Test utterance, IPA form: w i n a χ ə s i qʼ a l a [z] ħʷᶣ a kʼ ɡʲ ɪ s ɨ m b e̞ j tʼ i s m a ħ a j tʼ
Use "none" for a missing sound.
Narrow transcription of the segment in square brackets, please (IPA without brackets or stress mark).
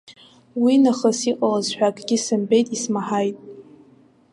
z